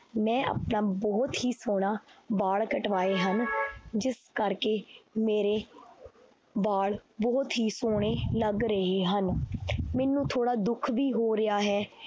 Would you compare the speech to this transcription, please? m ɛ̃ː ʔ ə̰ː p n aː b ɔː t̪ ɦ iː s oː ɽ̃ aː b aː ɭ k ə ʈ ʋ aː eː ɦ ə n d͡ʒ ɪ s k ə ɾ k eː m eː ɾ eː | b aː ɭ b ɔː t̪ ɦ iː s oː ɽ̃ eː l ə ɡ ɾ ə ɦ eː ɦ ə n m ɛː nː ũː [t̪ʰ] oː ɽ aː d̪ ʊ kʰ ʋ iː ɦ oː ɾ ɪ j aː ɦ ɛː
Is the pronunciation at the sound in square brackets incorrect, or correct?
correct